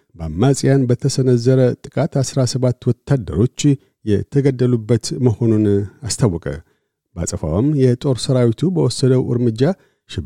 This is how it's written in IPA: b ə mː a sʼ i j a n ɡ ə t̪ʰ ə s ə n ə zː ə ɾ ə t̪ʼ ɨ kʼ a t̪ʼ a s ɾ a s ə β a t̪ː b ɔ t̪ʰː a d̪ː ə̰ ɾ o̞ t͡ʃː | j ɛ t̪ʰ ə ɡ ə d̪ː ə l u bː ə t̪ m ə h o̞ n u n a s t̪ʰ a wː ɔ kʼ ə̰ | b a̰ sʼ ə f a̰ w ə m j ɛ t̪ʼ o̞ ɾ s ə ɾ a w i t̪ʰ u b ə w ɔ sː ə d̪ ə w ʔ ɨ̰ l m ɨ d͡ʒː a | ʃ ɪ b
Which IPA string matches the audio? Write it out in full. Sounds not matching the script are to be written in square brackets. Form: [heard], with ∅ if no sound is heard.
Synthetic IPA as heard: b [a] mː a sʼ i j a n [b] ə t̪ʰ ə s ə n ə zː ə ɾ ə t̪ʼ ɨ kʼ a [t̪] a s ɾ a s ə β a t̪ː [w] ɔ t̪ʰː a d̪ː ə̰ ɾ o̞ t͡ʃː | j ɛ t̪ʰ ə ɡ ə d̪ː ə l u bː ə t̪ m ə h o̞ n u n a s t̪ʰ a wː ɔ kʼ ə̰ | b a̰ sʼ ə f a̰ w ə m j ɛ t̪ʼ o̞ ɾ s ə ɾ a w i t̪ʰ u b ə w ɔ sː ə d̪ ə w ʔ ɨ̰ [ɾ] m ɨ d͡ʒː a | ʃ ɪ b